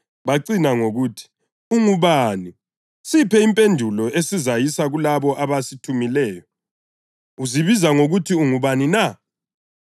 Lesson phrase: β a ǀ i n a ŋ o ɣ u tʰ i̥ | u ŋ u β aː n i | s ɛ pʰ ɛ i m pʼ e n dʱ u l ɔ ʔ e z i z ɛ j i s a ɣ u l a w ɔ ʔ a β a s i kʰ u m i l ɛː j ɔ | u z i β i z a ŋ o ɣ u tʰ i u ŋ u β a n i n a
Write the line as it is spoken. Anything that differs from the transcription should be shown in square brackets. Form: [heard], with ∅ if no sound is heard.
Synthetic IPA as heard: β a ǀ i n a ŋ o ɣ u tʰ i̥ | u ŋ u β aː n i | s [i] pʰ ɛ i m pʼ e n dʱ u l ɔ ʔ e [s] i z [a] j i s a ɣ u l a [β] ɔ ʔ a β a s i [tʰ] u m i l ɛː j ɔ | u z i β i z a ŋ o ɣ u tʰ i u ŋ u β a n i n a